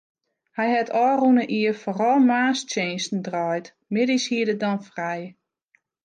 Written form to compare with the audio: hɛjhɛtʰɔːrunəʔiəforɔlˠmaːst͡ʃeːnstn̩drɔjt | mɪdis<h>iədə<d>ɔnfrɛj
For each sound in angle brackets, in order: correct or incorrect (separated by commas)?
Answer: correct, correct